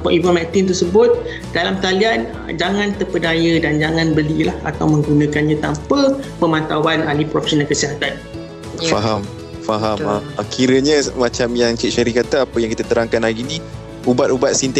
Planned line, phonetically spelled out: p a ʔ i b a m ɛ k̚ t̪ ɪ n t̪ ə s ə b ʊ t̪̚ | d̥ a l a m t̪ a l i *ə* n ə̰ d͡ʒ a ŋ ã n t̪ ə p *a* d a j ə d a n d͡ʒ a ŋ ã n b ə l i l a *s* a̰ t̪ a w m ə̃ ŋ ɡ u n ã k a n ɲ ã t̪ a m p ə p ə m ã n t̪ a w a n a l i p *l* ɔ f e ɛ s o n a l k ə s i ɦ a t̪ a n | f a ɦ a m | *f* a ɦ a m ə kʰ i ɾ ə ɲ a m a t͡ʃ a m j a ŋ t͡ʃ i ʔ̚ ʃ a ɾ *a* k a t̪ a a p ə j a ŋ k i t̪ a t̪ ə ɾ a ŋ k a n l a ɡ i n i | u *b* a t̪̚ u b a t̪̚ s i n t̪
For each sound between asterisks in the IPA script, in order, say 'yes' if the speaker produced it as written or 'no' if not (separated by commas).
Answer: no, no, no, no, yes, no, yes